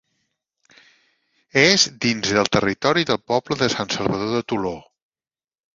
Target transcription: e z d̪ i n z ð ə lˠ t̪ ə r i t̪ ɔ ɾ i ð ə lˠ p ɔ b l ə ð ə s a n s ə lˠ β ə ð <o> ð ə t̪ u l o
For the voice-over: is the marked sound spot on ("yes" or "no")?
yes